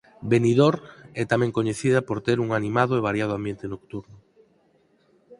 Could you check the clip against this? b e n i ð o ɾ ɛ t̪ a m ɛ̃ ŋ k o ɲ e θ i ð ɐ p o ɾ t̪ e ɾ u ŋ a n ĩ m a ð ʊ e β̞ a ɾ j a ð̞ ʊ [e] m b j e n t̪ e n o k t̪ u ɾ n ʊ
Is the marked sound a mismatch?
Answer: yes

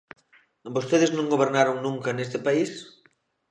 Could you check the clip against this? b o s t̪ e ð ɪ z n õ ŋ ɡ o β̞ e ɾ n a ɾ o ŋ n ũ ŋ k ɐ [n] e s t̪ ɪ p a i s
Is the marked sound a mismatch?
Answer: no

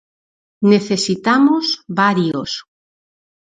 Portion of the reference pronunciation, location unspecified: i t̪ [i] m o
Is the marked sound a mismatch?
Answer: yes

